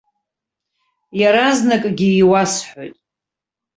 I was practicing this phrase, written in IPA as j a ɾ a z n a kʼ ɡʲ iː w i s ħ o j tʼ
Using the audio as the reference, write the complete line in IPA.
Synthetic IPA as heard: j a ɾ a z n a kʼ ɡʲ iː w a s ħ o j tʼ